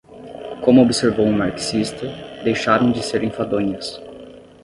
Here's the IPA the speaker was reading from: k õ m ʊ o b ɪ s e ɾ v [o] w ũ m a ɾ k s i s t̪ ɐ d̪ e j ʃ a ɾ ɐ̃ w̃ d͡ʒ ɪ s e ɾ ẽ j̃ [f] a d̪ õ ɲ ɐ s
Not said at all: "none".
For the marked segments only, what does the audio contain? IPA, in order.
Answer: o, f

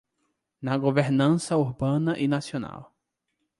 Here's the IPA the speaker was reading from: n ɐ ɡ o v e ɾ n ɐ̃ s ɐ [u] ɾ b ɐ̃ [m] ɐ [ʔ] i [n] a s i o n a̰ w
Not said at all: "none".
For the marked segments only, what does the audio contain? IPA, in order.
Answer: u, n, ʔ, n

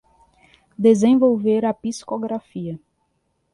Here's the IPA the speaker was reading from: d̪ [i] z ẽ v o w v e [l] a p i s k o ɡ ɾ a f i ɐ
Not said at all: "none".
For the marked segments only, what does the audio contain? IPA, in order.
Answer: e, ɾ

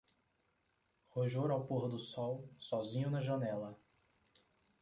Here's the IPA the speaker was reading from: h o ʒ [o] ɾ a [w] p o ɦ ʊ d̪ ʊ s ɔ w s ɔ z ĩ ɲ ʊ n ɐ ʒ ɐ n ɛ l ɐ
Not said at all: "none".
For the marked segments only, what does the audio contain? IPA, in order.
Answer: o, w

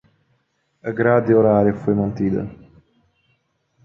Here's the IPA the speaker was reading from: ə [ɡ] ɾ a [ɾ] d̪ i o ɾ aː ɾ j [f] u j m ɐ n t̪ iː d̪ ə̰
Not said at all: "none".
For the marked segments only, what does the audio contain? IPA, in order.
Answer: ɡ, none, f

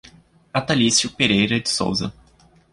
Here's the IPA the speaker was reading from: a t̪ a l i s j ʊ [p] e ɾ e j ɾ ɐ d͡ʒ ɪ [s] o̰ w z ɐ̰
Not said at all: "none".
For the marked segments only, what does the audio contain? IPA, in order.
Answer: p, s

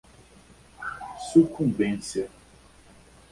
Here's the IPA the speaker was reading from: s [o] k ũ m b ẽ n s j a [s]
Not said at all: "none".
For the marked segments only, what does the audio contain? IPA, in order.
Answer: u, none

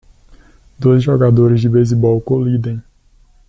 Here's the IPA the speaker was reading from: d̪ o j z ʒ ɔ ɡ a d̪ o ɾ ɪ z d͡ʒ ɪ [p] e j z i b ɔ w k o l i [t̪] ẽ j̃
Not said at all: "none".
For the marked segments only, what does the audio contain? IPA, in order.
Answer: b, d̪

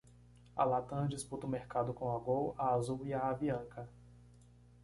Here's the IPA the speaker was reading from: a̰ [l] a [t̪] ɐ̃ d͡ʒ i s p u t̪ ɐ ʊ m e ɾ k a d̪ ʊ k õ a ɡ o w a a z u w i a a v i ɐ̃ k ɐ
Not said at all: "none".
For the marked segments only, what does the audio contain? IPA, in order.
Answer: l, t̪

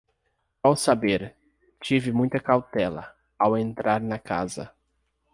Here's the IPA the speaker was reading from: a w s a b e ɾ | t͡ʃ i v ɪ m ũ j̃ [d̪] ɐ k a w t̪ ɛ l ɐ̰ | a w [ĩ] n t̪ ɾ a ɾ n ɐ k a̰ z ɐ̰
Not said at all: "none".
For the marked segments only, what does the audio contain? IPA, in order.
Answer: t̪, ẽ

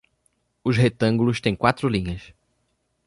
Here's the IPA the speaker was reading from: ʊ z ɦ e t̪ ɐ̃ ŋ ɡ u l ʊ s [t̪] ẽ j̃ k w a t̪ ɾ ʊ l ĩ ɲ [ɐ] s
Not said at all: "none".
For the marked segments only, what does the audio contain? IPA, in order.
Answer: t̪, ɐ

